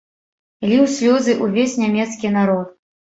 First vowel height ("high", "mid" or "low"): high